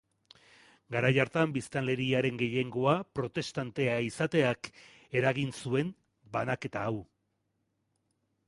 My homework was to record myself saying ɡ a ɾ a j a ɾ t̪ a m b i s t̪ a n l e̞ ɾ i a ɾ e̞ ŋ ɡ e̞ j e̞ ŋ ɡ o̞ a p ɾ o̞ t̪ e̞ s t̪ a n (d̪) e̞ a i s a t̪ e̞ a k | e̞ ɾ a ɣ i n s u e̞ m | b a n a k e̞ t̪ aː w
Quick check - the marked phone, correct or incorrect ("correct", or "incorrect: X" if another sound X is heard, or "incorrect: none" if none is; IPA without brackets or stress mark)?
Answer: incorrect: t̪